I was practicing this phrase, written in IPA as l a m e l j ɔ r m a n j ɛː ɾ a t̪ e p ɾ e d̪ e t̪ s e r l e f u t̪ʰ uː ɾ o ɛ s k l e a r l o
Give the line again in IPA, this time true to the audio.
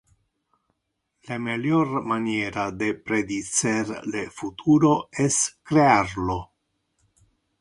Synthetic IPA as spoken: l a m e l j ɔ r m a n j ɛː ɾ a d̪ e p ɾ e d̪ i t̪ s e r l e f u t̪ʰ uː ɾ o ɛ s k ɾ e a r l o